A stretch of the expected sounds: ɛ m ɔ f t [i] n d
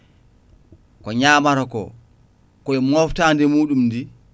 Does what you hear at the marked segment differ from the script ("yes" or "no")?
yes